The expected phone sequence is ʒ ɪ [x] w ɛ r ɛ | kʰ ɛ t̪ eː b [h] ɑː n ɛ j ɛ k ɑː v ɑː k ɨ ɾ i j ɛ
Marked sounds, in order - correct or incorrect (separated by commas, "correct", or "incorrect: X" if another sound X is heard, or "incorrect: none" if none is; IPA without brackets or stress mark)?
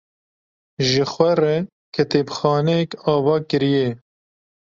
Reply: correct, incorrect: x